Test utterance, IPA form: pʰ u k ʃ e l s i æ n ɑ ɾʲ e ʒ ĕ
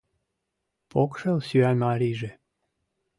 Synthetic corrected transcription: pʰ o k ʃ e l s y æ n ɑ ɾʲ i ʒ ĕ